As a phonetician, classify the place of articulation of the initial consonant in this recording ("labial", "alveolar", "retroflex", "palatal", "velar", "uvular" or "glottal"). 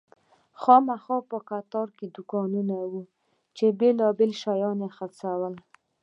velar